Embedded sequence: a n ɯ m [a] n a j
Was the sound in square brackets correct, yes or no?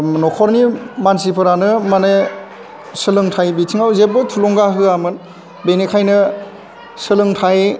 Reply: yes